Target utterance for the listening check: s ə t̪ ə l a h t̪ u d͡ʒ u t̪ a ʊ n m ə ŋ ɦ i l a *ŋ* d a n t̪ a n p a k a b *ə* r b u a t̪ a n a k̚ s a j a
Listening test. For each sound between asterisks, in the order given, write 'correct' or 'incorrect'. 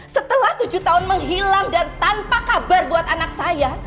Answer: correct, incorrect: a

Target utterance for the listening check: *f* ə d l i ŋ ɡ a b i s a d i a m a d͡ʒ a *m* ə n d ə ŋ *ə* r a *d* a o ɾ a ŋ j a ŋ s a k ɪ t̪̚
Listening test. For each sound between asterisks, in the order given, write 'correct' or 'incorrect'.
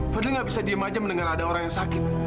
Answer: correct, correct, incorrect: a, correct

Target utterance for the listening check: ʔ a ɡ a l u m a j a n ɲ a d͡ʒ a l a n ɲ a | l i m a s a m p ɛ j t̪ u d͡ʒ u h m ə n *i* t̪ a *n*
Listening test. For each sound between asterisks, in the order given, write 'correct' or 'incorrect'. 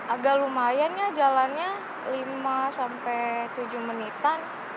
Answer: correct, correct

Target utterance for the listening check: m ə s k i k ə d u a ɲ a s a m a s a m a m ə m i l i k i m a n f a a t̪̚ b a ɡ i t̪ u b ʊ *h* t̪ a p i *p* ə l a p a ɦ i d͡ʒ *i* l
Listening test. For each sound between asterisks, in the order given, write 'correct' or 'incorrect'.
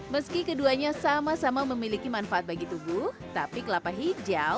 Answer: correct, incorrect: k, incorrect: a

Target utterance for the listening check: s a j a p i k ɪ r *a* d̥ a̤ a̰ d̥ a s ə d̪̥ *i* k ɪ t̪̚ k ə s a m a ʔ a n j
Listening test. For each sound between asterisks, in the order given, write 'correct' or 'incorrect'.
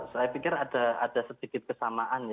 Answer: correct, correct

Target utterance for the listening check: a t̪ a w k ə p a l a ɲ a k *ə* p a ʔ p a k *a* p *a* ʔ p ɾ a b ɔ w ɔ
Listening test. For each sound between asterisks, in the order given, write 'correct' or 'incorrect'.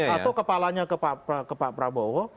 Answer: correct, incorrect: ə, correct

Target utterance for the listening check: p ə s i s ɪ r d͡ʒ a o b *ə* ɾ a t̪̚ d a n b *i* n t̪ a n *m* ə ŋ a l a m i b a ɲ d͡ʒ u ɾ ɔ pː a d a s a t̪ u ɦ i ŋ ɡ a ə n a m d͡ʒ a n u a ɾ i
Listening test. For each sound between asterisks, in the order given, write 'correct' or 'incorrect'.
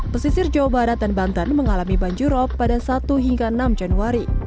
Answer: incorrect: a, incorrect: a, correct

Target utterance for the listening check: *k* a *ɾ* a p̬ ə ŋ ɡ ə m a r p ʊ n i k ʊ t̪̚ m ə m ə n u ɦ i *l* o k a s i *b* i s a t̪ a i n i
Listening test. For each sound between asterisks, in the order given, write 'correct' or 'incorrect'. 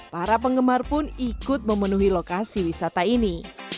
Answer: incorrect: p, correct, correct, incorrect: w

